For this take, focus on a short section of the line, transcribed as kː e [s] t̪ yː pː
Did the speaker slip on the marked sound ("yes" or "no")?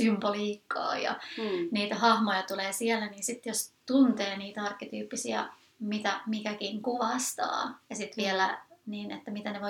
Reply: yes